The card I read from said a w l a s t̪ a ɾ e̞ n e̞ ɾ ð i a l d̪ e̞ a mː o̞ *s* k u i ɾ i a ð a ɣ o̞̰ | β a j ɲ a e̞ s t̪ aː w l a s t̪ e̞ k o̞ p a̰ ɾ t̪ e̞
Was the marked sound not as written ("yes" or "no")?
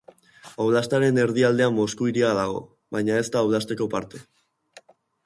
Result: no